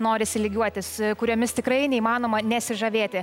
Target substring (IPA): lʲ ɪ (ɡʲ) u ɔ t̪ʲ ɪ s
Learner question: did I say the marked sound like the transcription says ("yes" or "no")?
yes